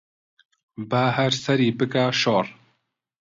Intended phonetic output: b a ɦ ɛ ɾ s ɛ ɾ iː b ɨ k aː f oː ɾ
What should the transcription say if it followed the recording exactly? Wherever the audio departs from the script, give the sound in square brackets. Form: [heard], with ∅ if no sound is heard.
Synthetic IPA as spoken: b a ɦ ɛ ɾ s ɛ ɾ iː b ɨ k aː [ʃ] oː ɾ